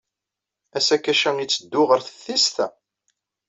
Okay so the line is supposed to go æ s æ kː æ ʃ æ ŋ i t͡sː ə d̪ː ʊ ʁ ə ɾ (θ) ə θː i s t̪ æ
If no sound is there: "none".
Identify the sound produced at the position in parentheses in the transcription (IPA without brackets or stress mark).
θ